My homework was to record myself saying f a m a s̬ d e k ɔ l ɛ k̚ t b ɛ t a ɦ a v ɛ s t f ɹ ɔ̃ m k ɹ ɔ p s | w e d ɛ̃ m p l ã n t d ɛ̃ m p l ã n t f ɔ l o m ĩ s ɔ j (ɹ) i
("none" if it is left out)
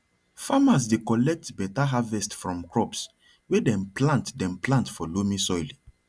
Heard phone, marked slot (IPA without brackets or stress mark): l